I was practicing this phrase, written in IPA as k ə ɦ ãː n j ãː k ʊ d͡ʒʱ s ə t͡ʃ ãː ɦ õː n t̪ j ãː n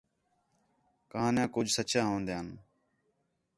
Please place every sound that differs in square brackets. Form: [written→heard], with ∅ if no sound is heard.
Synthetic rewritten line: k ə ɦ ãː n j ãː k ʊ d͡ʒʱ s ə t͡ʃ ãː ɦ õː n [t̪→d̪] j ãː n